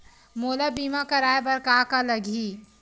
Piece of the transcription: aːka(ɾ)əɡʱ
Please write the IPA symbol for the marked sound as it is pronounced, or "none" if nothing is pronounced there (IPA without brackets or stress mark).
l